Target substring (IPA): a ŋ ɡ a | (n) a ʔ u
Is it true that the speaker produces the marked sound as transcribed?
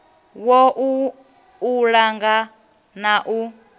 yes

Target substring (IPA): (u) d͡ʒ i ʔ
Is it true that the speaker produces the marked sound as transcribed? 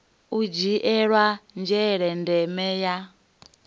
yes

